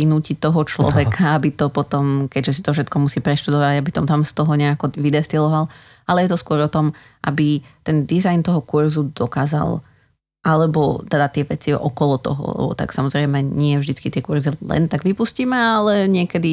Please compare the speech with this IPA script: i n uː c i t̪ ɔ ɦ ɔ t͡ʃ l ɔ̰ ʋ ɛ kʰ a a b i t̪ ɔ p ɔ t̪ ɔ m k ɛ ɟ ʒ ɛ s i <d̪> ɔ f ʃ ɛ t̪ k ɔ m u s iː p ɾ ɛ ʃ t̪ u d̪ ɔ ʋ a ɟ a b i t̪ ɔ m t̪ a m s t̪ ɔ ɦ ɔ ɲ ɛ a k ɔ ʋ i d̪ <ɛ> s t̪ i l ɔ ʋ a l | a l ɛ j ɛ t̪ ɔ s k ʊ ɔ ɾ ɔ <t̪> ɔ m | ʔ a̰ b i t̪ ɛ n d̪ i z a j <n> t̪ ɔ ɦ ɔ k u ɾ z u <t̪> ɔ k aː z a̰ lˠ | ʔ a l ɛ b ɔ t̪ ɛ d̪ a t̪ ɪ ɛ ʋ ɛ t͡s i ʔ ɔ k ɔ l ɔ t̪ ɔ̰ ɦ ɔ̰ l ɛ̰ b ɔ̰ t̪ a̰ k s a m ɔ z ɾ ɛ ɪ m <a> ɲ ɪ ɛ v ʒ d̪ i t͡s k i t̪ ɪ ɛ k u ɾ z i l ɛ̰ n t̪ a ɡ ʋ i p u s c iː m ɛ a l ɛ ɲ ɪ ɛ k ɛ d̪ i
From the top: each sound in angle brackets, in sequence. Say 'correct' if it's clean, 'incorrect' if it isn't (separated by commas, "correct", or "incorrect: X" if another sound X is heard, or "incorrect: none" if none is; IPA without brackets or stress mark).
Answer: incorrect: t̪, correct, correct, correct, incorrect: d̪, incorrect: ɛ